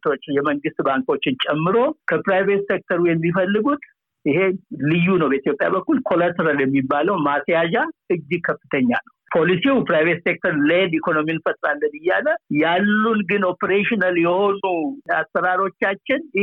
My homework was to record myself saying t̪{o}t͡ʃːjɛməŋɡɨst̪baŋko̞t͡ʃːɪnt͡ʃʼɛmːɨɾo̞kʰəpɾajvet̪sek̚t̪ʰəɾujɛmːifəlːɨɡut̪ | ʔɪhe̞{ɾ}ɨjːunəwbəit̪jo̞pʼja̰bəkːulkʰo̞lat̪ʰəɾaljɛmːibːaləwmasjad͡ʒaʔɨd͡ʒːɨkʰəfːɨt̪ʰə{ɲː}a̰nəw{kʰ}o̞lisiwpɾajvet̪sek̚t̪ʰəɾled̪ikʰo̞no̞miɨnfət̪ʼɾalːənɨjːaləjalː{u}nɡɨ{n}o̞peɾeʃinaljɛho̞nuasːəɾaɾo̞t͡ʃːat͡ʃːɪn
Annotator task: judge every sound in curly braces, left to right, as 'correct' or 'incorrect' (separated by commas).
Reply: correct, incorrect, correct, incorrect, correct, correct